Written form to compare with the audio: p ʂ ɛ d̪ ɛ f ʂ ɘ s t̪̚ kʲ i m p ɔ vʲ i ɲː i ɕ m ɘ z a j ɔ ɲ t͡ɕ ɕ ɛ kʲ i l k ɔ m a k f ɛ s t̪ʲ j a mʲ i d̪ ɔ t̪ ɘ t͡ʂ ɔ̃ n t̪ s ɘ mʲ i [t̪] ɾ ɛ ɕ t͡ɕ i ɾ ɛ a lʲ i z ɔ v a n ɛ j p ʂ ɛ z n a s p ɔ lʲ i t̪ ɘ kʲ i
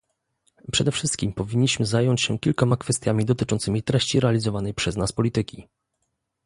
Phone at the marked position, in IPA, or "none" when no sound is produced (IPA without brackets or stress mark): t̪